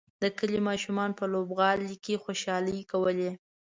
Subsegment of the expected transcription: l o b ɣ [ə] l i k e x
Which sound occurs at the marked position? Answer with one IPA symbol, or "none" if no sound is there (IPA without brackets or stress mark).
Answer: ɑ